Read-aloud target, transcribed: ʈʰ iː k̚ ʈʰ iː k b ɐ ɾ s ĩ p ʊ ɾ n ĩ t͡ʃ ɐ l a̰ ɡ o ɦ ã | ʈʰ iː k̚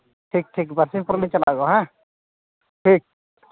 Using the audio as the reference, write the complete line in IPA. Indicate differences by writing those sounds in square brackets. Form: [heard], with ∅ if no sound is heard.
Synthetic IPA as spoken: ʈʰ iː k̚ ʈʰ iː k b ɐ ɾ s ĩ p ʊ ɾ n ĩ t͡ʃ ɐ l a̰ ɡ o ɦ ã | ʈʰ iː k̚